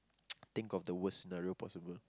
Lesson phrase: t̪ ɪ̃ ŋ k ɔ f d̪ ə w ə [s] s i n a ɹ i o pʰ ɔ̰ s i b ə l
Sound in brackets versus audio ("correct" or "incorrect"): correct